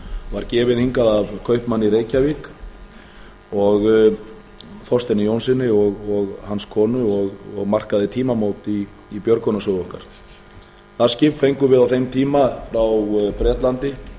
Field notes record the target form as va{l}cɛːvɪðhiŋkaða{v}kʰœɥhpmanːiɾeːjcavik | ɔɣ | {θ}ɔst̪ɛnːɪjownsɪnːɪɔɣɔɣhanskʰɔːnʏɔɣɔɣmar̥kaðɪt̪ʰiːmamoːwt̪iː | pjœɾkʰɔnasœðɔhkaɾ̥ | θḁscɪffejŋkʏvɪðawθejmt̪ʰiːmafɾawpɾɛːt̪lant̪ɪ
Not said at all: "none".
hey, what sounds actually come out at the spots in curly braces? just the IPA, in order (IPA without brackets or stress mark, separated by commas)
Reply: ɾ, v, θ